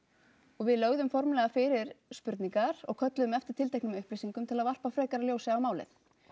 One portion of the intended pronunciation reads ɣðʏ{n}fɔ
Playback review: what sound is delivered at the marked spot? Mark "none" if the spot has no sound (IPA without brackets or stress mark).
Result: m